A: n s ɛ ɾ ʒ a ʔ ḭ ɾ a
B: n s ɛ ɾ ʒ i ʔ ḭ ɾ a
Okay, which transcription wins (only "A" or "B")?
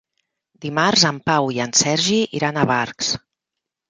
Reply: B